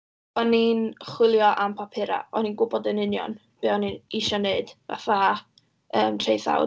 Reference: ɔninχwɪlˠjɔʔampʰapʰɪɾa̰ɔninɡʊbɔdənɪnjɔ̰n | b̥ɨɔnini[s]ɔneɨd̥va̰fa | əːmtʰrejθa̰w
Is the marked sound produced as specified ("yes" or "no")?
no